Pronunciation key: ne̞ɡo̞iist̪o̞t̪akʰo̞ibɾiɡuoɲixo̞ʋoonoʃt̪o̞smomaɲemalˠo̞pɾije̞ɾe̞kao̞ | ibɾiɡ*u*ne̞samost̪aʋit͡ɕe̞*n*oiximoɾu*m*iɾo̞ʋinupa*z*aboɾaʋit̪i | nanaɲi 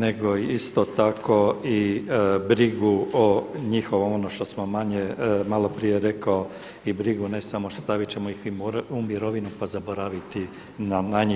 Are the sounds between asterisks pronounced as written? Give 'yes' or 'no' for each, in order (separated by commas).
yes, no, yes, yes